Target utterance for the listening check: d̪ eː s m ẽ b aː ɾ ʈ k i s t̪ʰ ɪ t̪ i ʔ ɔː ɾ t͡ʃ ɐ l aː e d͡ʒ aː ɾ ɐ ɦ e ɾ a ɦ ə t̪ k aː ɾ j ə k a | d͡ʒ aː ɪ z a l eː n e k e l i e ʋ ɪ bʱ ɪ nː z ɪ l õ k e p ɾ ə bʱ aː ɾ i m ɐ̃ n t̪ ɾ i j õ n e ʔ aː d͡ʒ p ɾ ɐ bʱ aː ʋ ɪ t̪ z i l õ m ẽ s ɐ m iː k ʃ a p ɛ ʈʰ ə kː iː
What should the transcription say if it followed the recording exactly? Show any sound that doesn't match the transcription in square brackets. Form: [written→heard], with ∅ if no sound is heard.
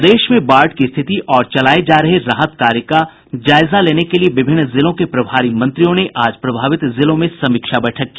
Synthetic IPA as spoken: d̪ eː [s→ʃ] m ẽ b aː ɾ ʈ k i s t̪ʰ ɪ t̪ i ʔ ɔː ɾ t͡ʃ ɐ l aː e d͡ʒ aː ɾ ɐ ɦ e ɾ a ɦ ə t̪ k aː ɾ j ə k a | d͡ʒ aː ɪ z a l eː n e k e l i e ʋ ɪ bʱ ɪ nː z ɪ l õ k e p ɾ [ə→ɐ] bʱ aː ɾ i m ɐ̃ n t̪ ɾ i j õ n e ʔ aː d͡ʒ p ɾ ɐ bʱ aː ʋ ɪ t̪ z [i→ɪ] l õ m ẽ s ɐ m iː k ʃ a [p→b] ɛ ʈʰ ə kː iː